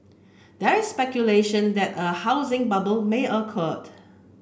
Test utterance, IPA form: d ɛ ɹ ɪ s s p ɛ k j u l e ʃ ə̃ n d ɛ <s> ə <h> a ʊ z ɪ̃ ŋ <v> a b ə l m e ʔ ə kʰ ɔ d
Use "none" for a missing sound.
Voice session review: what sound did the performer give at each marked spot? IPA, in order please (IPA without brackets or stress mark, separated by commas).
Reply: t, h, b